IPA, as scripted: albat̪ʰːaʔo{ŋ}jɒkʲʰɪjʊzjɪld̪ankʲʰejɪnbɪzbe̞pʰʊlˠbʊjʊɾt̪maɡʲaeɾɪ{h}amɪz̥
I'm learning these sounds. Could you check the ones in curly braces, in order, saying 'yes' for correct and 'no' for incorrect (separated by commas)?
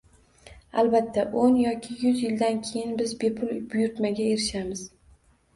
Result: no, no